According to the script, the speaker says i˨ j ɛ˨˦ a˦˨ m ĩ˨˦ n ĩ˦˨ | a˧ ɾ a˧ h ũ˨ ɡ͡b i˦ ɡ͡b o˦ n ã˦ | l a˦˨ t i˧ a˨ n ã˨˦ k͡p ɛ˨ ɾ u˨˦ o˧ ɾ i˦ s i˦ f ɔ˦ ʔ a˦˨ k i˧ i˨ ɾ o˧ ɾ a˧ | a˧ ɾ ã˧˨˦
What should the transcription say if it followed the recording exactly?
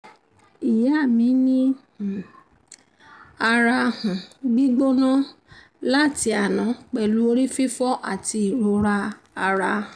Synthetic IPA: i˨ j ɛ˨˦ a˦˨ m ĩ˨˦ n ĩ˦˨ | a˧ ɾ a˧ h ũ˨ ɡ͡b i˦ ɡ͡b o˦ n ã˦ | l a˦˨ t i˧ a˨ n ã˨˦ k͡p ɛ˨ l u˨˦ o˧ ɾ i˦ f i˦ f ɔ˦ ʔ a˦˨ t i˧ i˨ ɾ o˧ ɾ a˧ | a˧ ɾ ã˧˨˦

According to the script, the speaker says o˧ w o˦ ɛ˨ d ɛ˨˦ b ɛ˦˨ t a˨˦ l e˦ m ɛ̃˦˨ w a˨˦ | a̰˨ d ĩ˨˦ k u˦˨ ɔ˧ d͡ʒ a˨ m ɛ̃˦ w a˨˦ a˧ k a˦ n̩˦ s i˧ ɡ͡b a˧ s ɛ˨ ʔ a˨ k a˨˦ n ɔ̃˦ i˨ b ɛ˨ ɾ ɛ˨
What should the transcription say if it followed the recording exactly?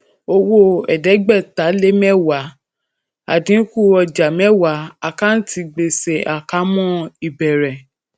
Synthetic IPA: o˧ w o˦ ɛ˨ d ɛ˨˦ ɡ͡b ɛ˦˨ t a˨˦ l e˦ m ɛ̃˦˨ w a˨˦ | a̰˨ d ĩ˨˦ k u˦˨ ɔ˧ d͡ʒ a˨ m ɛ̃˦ w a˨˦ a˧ k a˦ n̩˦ t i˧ ɡ͡b e˧ s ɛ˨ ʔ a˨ k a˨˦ m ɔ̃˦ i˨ b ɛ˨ ɾ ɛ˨

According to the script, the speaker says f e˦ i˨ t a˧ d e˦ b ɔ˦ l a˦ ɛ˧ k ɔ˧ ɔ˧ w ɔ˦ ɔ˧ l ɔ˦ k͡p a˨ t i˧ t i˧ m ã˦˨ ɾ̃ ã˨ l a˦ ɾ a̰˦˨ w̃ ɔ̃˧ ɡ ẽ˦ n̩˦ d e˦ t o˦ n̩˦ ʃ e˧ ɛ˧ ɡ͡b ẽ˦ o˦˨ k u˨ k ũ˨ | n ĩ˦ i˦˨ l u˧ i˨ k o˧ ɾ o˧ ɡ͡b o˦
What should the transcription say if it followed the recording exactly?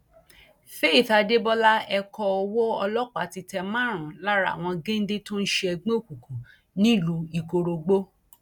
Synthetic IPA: f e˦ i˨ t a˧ d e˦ b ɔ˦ l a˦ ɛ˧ k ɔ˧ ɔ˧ w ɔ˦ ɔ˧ l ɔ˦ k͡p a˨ t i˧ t ɛ˧ m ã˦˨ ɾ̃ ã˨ l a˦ ɾ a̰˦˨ w̃ ɔ̃˧ ɡ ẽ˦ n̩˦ d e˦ t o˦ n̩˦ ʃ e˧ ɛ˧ ɡ͡b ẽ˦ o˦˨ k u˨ k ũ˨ | n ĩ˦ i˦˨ l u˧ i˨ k o˧ ɾ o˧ ɡ͡b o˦

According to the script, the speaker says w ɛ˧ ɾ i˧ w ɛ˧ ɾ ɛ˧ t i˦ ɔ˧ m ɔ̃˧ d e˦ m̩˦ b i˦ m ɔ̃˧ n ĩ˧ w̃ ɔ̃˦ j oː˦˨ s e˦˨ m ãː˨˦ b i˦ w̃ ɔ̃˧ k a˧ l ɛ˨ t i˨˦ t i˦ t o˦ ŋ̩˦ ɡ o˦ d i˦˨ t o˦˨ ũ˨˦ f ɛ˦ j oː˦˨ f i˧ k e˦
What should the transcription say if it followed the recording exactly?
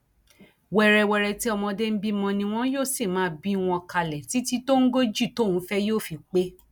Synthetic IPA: w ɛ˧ ɾ ɛ˧ w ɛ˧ ɾ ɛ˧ t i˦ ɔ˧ m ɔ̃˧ d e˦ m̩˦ b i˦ m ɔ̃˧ n ĩ˧ w̃ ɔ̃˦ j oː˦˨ s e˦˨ m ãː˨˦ b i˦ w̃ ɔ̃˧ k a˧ l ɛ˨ t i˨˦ t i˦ t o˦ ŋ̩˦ ɡ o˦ d͡ʒ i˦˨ t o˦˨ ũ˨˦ f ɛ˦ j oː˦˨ f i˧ k͡p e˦

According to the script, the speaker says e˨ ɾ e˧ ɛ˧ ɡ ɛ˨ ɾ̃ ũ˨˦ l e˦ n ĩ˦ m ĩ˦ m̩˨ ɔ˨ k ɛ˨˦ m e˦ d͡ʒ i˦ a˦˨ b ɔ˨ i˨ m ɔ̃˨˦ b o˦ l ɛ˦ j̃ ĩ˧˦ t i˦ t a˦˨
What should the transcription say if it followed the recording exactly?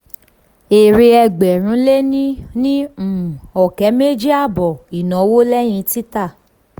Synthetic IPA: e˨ ɾ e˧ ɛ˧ ɡ͡b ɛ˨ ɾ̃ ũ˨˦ l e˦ n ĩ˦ n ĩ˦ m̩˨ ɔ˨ k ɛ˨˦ m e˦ d͡ʒ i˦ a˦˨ b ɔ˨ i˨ n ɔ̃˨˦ w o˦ l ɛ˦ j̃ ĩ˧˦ t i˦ t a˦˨

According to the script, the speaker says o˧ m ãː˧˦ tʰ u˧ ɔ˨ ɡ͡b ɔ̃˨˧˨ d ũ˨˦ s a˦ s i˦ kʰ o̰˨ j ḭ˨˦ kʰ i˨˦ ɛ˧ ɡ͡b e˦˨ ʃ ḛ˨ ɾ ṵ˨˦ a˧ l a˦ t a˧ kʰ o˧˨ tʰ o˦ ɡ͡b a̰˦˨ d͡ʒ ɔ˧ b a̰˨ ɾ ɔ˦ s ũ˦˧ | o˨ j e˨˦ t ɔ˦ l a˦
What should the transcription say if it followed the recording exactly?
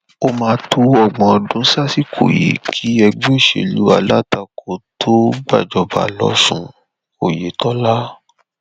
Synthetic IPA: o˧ m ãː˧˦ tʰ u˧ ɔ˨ ɡ͡b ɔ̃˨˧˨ d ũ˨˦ s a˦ s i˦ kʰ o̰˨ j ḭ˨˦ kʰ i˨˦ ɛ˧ ɡ͡b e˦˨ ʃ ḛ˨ l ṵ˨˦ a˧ l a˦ t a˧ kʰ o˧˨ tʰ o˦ ɡ͡b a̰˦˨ d͡ʒ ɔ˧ b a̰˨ l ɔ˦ s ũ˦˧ | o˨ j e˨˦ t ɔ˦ l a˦

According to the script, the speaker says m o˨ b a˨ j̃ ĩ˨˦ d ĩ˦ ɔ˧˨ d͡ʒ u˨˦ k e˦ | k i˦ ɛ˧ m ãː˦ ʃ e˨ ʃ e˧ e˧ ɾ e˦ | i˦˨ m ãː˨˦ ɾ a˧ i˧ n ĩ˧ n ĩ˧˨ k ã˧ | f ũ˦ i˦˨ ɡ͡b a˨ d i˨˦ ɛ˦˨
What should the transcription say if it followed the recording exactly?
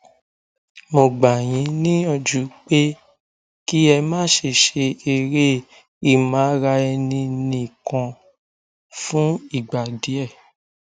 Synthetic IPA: m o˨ ɡ͡b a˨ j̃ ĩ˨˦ n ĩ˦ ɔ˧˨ d͡ʒ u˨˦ k͡p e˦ | k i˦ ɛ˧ m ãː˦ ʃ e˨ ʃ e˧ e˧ ɾ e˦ | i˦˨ m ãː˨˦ ɾ a˧ ɛ˧ n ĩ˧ n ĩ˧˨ k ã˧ | f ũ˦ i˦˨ ɡ͡b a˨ d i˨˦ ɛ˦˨

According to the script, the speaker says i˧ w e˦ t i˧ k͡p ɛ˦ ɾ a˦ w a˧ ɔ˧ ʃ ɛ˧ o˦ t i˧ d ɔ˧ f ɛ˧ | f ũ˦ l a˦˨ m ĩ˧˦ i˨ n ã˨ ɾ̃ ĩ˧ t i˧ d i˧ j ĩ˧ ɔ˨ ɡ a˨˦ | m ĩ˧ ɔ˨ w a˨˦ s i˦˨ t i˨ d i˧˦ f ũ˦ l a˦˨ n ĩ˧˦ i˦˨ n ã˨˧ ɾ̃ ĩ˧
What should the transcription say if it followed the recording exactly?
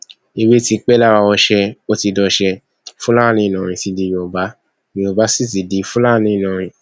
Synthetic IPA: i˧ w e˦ t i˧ k͡p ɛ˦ l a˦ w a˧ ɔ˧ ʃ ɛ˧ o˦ t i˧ d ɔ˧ ʃ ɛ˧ | f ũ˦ l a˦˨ n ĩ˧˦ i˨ n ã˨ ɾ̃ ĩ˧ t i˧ d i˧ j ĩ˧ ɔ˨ b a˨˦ | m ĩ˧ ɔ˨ b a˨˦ s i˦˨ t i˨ d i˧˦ f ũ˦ l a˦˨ n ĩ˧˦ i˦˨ n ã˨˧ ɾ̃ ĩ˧

